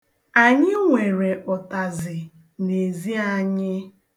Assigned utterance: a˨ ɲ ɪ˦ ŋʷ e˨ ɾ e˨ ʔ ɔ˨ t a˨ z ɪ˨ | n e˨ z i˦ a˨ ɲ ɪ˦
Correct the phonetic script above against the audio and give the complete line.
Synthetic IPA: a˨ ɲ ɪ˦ ŋʷ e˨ ɾ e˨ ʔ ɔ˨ t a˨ z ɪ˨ | n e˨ z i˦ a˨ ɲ ɪ˦